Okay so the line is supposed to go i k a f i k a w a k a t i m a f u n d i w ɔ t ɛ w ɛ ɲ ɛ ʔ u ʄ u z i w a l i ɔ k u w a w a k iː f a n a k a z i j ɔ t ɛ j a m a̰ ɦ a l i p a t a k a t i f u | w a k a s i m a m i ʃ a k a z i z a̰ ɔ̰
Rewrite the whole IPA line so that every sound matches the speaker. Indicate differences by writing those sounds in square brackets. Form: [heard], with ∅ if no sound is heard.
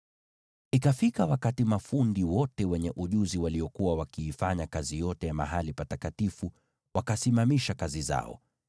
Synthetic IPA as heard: i k a f i k a w a k a t i m a f u n d i w ɔ t ɛ w ɛ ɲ ɛ ʔ u ʄ u z i w a l i ɔ k u w a w a k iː f a [ɲ] a k a z i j ɔ t ɛ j a m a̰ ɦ a l i p a t a k a t i f u | w a k a s i m a m i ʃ a k a z i z a̰ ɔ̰